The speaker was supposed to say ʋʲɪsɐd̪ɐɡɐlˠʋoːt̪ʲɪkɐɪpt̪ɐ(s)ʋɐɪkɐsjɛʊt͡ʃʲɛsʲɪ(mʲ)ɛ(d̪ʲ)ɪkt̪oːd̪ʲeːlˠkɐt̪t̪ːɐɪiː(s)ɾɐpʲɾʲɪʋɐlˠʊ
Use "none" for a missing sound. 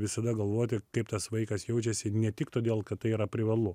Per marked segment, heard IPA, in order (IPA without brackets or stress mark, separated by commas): s, nʲ, t̪ʲ, none